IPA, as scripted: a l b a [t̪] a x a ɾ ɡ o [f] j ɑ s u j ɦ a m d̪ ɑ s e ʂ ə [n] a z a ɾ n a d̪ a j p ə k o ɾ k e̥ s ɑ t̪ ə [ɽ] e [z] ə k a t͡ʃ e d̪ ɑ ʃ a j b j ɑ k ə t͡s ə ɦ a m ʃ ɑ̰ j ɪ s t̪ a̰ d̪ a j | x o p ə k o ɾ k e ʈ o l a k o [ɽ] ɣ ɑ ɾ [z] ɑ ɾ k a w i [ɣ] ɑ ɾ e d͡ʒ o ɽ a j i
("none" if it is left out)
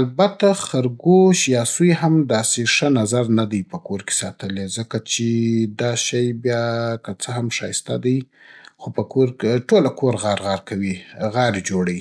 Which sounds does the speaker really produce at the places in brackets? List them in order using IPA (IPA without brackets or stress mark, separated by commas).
t̪, ʃ, n, l, z, ɾ, ɣ, ɣ